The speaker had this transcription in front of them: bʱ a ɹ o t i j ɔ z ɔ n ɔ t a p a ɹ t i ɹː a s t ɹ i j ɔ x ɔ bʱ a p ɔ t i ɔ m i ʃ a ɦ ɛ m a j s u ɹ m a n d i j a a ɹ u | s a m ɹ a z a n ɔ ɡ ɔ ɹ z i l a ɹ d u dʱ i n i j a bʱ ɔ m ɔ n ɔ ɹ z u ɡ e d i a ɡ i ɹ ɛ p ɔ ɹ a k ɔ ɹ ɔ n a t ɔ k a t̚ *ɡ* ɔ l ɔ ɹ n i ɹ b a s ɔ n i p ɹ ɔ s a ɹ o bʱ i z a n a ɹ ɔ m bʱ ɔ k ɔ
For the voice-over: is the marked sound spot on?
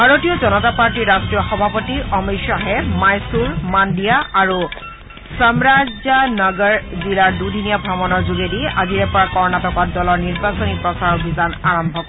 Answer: no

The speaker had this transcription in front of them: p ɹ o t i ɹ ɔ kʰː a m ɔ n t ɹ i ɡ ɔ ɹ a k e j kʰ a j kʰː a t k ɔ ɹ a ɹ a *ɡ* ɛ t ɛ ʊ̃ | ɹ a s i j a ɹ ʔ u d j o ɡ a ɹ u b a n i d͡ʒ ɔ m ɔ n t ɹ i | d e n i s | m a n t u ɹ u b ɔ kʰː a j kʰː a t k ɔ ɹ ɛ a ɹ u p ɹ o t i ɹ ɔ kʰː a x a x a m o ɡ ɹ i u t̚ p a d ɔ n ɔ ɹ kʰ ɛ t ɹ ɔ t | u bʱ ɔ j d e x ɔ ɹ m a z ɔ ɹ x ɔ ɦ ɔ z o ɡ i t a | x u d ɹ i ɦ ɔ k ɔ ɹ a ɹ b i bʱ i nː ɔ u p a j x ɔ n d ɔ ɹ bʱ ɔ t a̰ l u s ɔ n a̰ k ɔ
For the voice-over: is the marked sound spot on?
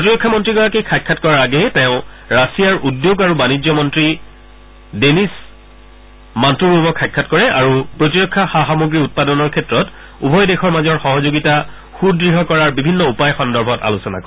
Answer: yes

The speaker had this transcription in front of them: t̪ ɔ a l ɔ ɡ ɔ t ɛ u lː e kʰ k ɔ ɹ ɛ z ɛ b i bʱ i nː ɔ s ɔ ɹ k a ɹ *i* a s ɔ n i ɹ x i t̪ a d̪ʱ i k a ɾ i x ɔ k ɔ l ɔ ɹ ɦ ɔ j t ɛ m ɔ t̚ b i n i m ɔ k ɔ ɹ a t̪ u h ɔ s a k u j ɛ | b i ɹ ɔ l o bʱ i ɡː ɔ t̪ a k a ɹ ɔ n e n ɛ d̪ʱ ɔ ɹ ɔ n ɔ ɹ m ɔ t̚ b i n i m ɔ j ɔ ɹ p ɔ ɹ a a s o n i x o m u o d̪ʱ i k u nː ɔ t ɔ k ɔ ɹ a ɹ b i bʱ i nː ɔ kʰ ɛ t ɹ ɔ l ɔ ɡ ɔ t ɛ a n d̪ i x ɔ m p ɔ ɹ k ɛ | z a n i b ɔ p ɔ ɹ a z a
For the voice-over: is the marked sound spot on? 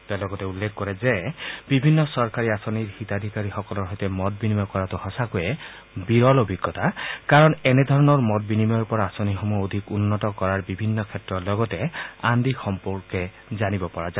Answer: yes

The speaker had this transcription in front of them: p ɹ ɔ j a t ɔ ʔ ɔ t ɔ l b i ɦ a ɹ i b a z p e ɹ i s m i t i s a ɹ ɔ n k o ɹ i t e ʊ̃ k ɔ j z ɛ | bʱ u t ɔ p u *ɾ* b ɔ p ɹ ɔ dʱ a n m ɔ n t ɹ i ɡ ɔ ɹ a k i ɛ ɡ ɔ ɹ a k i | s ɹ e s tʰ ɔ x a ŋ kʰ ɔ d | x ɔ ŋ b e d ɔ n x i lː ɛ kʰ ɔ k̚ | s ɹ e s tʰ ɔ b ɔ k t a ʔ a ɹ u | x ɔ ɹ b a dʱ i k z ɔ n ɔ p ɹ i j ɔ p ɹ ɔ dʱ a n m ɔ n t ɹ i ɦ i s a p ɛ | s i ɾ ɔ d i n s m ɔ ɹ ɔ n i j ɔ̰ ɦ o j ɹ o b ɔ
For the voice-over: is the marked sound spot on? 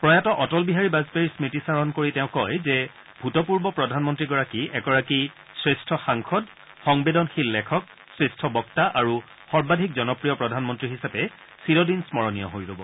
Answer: no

